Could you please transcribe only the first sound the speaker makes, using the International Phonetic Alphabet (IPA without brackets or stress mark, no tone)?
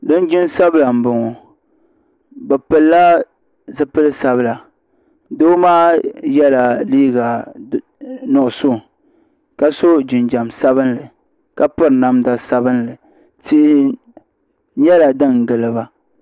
d